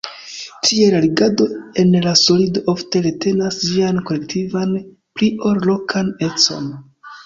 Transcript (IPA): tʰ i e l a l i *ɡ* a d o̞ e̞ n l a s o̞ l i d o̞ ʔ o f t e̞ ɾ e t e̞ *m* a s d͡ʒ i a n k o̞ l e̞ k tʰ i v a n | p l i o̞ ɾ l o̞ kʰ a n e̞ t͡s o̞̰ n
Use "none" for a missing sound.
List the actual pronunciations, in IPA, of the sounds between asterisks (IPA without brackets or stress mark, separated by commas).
ɡ, n